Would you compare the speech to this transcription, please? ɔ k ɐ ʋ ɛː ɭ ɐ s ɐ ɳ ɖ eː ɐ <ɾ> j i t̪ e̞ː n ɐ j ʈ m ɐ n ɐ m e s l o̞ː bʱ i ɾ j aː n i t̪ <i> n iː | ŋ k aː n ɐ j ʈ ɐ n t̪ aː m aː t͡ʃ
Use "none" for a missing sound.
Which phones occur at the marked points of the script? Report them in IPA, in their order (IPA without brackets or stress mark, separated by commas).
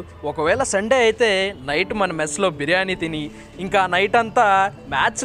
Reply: none, i